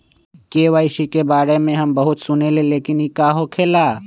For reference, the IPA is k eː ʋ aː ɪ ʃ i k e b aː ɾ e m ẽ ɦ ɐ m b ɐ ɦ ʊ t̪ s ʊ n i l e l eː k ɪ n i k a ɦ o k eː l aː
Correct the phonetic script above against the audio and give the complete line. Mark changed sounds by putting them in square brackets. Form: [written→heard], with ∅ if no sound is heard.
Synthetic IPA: k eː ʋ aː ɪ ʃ i k e b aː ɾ e m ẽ ɦ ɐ m b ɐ ɦ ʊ t̪ s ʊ n [i→e] l e l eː k ɪ n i k a ɦ o [k→kʰ] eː l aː